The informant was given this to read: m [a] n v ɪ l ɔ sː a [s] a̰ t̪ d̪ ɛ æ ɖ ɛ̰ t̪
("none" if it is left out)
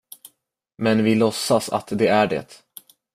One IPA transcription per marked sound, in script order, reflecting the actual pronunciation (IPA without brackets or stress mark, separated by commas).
ɛ, s